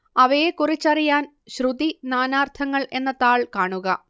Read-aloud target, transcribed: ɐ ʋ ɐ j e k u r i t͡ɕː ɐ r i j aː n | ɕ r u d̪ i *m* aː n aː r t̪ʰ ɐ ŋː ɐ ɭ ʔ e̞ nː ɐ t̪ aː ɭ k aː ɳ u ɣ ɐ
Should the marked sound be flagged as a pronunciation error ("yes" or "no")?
yes